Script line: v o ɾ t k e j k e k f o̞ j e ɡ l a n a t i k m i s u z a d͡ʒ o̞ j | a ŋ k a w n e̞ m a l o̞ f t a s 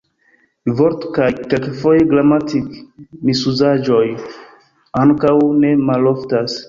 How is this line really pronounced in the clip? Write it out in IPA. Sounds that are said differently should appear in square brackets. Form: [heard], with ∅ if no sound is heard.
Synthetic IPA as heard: v o ɾ t k [a] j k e k f o̞ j e ɡ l a [m] a t i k m i s u z a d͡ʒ o̞ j | a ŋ k a w n e̞ m a l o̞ f t a s